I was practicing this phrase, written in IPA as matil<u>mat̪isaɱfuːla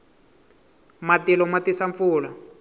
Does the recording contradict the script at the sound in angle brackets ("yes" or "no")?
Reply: yes